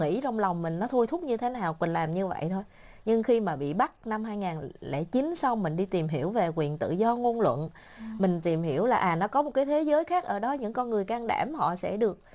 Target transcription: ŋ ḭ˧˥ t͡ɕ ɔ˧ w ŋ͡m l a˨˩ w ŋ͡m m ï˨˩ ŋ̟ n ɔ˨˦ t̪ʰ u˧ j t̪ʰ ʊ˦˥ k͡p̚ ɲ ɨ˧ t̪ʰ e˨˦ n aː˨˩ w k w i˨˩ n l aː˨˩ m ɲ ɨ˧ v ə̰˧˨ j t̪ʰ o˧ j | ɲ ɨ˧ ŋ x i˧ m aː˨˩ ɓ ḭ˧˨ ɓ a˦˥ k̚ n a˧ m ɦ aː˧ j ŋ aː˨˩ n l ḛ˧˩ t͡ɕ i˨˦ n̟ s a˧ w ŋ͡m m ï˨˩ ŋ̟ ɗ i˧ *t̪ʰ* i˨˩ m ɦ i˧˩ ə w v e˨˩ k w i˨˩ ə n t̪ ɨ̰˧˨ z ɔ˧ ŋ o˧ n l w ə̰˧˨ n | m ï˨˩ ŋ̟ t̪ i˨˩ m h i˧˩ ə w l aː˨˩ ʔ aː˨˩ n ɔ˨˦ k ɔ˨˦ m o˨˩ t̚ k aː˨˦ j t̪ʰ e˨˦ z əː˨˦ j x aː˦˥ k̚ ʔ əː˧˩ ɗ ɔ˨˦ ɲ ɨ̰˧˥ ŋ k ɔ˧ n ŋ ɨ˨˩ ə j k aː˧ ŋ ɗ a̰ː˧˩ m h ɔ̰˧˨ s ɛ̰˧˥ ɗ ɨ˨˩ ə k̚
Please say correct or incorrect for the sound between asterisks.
incorrect